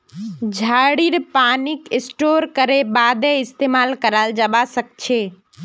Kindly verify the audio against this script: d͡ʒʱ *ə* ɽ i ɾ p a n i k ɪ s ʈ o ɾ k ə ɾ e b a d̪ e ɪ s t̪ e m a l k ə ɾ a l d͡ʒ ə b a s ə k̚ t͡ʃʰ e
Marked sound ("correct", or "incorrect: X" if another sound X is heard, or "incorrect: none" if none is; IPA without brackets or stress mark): incorrect: a